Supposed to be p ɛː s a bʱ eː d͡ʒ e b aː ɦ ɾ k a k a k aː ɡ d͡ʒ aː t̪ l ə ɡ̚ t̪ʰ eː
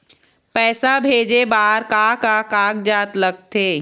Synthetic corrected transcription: p ɛː s a bʱ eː d͡ʒ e b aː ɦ ɾ k a k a k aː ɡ d͡ʒ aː t̪ l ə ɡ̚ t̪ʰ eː